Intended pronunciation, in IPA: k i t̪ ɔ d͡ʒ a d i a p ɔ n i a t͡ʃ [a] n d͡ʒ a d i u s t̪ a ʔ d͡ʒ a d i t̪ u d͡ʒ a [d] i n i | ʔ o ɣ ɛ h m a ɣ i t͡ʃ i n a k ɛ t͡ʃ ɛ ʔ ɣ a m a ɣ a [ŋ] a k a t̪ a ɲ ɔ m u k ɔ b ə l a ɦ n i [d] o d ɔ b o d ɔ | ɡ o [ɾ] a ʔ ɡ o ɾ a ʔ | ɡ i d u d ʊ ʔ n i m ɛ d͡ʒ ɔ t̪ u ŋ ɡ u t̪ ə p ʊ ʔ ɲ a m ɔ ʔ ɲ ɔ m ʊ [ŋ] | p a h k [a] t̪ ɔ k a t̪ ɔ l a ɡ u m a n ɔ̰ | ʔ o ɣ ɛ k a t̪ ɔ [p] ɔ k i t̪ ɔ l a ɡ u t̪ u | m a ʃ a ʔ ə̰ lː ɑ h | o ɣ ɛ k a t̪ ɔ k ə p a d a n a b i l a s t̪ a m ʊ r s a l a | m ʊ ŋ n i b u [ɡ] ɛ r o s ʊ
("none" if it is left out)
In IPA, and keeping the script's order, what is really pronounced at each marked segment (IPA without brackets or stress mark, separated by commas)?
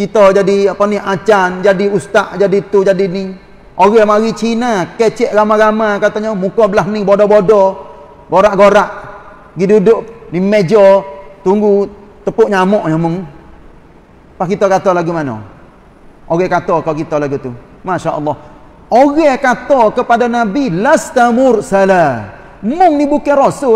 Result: a, d, m, b, ɾ, ŋ, i, k, k